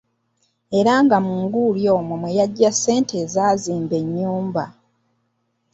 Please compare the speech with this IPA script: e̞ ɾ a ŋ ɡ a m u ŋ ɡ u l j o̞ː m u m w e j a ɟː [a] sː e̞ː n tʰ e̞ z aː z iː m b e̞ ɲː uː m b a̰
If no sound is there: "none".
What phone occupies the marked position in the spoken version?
a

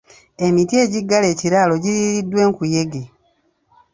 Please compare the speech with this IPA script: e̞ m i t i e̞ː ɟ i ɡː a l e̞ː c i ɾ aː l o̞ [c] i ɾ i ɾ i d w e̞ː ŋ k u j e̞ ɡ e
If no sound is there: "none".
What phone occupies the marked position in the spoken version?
ɟ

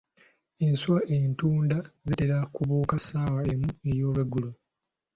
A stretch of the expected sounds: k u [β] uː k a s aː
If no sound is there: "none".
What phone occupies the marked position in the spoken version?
β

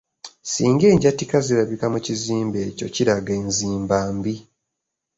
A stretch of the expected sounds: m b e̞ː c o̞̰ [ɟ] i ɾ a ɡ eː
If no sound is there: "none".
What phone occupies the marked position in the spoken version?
c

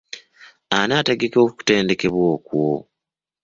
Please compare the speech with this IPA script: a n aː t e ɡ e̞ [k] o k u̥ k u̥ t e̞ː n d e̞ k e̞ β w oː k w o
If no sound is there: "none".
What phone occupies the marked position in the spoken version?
k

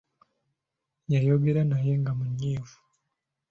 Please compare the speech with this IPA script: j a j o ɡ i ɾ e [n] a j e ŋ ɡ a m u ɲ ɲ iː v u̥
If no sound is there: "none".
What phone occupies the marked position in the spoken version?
n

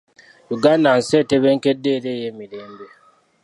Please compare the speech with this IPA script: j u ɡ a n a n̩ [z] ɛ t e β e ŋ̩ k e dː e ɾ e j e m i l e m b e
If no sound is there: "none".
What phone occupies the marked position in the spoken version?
s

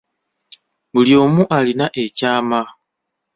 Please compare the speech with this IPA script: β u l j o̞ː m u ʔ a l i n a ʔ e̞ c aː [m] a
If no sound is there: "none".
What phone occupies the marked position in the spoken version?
m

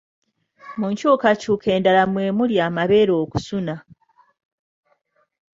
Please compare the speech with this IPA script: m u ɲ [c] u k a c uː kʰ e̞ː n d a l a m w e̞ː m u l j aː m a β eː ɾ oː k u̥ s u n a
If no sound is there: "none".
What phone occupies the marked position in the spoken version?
c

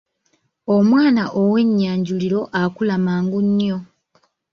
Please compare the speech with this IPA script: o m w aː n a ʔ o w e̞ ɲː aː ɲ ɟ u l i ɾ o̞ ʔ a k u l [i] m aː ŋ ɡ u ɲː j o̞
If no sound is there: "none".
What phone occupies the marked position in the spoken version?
a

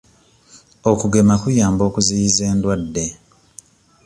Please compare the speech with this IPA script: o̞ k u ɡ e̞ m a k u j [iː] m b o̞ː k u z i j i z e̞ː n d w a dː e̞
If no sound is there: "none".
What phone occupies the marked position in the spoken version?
aː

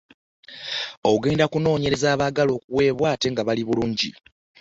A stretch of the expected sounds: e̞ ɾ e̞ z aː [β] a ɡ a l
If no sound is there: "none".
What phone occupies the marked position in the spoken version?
β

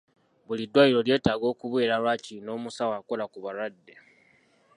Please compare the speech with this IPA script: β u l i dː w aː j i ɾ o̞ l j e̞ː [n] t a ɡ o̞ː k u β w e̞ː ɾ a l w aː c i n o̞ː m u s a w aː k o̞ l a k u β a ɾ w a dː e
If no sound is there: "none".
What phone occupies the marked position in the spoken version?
none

